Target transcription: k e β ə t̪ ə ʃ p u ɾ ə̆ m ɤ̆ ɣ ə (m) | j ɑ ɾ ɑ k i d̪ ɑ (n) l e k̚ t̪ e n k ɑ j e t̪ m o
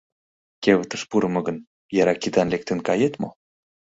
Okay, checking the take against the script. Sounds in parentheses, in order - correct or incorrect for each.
incorrect, correct

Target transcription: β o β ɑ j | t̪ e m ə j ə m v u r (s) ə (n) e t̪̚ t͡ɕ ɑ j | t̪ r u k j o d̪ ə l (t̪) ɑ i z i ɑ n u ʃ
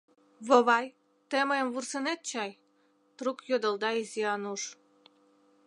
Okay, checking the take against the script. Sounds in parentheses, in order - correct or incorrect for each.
correct, correct, incorrect

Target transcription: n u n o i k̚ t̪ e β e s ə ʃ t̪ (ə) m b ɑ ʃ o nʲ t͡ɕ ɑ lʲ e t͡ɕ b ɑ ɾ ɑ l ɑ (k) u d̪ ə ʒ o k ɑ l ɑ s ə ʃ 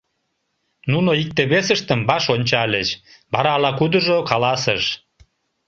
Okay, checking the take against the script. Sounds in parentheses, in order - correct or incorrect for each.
correct, correct

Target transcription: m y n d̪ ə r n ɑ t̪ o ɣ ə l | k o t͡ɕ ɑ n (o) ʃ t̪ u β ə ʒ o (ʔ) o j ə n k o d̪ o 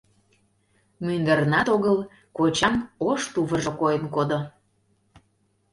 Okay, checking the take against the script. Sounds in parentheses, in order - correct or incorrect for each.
correct, incorrect

